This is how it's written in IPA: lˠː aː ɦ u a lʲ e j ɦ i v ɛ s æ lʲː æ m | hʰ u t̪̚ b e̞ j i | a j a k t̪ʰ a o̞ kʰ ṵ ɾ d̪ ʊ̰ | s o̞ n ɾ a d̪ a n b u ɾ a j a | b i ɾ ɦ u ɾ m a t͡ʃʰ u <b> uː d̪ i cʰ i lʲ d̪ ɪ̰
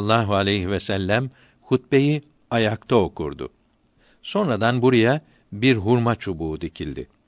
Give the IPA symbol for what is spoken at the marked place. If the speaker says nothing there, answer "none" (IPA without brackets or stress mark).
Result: b